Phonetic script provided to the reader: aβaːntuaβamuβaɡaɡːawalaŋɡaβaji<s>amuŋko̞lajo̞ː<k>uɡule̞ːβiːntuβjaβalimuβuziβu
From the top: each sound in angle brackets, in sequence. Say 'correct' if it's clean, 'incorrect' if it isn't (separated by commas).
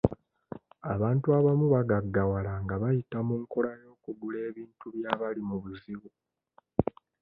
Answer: incorrect, correct